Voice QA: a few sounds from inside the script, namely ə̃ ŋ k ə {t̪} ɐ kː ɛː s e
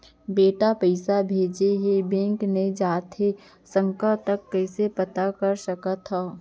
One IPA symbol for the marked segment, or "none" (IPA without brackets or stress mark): t̪